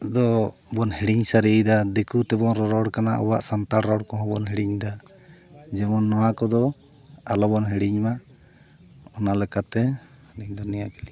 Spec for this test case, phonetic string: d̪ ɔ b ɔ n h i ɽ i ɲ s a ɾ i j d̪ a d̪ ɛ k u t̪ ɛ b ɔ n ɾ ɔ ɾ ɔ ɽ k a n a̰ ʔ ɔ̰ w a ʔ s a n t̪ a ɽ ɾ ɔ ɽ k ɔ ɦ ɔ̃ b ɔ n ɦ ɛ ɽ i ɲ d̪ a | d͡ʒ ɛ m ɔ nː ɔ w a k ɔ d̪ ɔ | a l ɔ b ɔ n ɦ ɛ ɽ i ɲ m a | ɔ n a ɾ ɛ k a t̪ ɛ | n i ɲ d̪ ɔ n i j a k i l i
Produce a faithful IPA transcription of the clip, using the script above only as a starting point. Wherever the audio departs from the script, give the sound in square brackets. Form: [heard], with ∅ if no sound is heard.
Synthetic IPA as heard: d̪ ɔ b ɔ n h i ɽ i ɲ s a ɾ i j d̪ a d̪ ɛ k u t̪ ɛ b ɔ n ɾ ɔ ɾ ɔ ɽ k a n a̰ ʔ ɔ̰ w a ʔ s a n t̪ a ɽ ɾ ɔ ɽ k ɔ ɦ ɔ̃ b ɔ n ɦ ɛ ɽ i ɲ d̪ a | d͡ʒ ɛ m ɔ nː ɔ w a k ɔ d̪ ɔ | a l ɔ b ɔ n ɦ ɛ ɽ i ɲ m a | ɔ n a [l] ɛ k a t̪ ɛ | n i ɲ d̪ ɔ n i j a k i l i